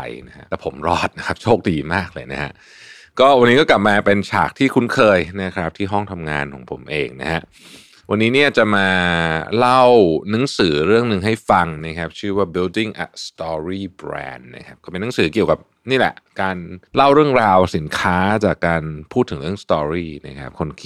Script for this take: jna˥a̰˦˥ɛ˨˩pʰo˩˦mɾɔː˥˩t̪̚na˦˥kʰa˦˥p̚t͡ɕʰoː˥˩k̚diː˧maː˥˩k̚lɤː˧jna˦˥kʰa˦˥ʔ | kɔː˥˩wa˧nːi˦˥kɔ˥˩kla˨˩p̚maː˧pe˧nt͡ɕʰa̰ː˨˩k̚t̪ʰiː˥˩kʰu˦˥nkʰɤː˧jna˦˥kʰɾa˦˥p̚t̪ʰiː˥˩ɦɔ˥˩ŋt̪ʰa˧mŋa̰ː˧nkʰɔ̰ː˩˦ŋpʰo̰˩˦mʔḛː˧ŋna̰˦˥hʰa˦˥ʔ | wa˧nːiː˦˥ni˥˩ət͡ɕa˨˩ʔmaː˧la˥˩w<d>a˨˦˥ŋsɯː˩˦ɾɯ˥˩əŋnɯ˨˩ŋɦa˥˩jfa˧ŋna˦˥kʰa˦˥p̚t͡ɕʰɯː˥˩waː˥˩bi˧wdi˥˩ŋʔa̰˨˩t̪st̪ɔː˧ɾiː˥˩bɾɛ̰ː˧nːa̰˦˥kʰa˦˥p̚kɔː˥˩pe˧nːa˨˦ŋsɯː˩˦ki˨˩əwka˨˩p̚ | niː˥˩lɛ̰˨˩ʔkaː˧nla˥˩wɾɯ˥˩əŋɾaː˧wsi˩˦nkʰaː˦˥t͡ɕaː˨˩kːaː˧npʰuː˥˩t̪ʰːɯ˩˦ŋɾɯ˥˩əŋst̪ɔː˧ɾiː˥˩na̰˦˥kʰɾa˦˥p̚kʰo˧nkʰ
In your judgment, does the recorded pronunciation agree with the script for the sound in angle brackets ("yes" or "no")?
no